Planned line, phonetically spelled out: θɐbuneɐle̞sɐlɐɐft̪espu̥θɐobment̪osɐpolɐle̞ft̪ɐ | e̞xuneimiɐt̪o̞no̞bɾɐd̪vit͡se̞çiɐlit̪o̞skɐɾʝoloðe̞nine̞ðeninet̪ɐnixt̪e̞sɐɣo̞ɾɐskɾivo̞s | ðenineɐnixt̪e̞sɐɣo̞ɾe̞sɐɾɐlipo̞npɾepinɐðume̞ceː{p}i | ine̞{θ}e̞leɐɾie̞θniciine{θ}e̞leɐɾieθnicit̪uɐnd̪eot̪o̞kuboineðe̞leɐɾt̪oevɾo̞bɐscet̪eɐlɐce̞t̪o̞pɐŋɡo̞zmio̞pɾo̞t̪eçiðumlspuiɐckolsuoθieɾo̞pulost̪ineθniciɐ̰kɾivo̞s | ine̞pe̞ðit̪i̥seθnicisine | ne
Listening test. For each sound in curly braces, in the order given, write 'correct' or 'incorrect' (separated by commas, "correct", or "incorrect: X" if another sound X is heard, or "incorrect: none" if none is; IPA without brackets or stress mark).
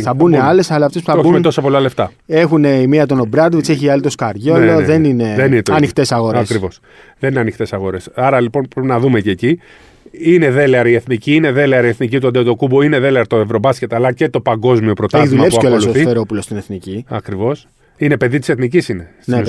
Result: incorrect: c, incorrect: ð, incorrect: ð